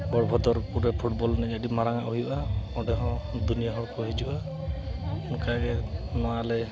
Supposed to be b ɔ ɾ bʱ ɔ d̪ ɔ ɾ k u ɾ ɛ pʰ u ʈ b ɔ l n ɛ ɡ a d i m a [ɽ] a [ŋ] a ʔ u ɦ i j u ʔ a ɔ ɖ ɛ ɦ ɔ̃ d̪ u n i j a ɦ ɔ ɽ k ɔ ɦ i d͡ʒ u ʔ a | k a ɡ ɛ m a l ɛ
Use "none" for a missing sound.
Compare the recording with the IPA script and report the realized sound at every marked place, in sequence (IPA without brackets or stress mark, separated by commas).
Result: ɾ, ŋ